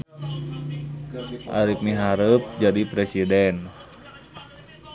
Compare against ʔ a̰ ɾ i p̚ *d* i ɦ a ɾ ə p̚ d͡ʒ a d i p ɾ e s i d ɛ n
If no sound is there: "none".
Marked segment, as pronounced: n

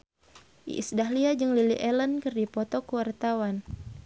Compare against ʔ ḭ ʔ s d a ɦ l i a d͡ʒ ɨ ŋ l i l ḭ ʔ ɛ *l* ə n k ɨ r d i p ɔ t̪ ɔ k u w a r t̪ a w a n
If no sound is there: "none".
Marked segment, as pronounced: l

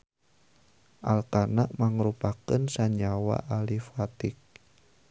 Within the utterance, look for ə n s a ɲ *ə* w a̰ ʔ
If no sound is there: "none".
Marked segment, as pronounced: a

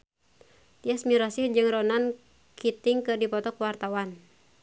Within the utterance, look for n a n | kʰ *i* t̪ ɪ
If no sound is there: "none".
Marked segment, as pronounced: i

